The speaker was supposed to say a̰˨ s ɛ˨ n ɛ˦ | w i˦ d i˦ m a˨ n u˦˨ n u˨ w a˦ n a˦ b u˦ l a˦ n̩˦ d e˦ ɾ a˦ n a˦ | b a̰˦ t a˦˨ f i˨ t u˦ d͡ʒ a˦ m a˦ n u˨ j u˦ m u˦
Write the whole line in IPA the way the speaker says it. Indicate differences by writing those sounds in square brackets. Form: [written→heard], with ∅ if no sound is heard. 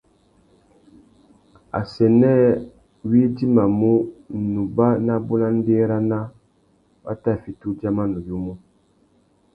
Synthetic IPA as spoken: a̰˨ s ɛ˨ n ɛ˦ | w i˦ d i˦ m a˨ [n→m] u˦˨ n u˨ [w→b] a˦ n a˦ b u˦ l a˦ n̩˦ d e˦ ɾ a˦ n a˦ | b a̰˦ t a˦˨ f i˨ t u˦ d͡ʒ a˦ m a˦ n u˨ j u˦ m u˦